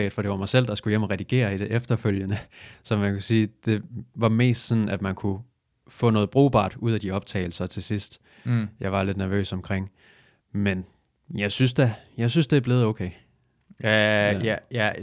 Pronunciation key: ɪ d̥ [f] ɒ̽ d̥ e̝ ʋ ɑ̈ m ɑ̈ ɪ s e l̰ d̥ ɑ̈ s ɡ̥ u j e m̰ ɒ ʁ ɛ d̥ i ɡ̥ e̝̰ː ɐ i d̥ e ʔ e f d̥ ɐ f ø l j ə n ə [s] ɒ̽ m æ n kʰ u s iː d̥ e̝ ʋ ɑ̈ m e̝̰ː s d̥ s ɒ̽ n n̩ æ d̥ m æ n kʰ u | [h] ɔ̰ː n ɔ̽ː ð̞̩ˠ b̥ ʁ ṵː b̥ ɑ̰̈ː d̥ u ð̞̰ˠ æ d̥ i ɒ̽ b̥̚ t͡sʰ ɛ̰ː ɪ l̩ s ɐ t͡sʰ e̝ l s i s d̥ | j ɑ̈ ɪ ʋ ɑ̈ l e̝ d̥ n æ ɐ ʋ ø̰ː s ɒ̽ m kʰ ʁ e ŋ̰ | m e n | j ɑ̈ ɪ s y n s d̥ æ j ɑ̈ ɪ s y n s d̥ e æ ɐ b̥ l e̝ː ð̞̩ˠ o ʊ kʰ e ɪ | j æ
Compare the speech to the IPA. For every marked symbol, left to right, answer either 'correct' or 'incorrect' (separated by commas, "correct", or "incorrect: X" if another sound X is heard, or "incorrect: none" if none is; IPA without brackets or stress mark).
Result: correct, correct, incorrect: f